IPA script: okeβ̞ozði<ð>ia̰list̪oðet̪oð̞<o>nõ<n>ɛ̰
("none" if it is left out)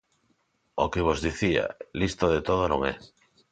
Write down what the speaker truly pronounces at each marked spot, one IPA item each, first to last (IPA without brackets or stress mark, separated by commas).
θ, o, ŋ